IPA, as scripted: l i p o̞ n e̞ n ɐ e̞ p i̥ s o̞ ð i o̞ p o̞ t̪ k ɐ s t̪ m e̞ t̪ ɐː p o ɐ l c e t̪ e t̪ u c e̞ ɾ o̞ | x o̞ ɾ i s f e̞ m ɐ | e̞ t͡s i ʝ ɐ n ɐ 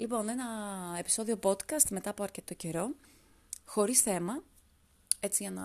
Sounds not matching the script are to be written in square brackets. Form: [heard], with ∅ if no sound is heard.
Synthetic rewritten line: l i p o̞ n e̞ n ɐ e̞ p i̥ s o̞ ð i o̞ p o̞ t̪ k ɐ s t̪ m e̞ t̪ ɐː p o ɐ [ɾ] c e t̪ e t̪ [o] c e̞ ɾ o̞ | x o̞ ɾ i s [θ] e̞ m ɐ | e̞ t͡s i ʝ ɐ n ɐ